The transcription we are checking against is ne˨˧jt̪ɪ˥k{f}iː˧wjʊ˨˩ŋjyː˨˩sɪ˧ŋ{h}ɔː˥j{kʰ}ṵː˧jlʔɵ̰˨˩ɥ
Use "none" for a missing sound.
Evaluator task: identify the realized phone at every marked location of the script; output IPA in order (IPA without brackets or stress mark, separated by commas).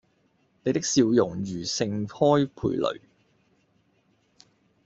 s, h, pʰ